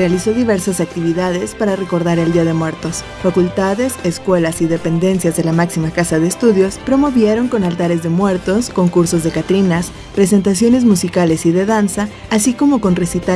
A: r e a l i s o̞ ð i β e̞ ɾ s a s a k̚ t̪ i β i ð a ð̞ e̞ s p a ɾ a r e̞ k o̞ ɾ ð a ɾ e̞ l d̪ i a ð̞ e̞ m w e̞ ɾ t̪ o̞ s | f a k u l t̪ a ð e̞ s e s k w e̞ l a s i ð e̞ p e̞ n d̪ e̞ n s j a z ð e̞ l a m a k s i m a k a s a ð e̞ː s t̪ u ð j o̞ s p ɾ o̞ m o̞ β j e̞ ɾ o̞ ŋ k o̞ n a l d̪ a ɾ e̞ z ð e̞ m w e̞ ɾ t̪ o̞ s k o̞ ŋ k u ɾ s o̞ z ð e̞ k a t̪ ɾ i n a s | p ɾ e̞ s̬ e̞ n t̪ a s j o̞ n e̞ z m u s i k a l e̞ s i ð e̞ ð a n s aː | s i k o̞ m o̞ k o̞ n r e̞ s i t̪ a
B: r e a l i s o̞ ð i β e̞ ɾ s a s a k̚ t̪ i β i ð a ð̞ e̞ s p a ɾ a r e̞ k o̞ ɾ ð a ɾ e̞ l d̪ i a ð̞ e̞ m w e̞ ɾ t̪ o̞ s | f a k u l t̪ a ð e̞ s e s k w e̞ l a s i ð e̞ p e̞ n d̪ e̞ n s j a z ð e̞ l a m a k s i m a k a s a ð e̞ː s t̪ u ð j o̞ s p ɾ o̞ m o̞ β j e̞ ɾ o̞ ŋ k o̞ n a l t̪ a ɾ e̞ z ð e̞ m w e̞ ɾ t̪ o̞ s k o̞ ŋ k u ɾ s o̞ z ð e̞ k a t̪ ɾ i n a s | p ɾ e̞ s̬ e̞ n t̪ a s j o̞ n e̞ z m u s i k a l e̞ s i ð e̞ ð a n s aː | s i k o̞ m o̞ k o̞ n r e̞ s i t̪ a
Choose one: B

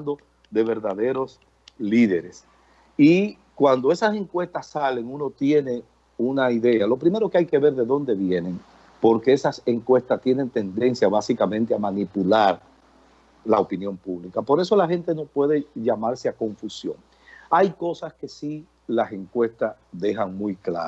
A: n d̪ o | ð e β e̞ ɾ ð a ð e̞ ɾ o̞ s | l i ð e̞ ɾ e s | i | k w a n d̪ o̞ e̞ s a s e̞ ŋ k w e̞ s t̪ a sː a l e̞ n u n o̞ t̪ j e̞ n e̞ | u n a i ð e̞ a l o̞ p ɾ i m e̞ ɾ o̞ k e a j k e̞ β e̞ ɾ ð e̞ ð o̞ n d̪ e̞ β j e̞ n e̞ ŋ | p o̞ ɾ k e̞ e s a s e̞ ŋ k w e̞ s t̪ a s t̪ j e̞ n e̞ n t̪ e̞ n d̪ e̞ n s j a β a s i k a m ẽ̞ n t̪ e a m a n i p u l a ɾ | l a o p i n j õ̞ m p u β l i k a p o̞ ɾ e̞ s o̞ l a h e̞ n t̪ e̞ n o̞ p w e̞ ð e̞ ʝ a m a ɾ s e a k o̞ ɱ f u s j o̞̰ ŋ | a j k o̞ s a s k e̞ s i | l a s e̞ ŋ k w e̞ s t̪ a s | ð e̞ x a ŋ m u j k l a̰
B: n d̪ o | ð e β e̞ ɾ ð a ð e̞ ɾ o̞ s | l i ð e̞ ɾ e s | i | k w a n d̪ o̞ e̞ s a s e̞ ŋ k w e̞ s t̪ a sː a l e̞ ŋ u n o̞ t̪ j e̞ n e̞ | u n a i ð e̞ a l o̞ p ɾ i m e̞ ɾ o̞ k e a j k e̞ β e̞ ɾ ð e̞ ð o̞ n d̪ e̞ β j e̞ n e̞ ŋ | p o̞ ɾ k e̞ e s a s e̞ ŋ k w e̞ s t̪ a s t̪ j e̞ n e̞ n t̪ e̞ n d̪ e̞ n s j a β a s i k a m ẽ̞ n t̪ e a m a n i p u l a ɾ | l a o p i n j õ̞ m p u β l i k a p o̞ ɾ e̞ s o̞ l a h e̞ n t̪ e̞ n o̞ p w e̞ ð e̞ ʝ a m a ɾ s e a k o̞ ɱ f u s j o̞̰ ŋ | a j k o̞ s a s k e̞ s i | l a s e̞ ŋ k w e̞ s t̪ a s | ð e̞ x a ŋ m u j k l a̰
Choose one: B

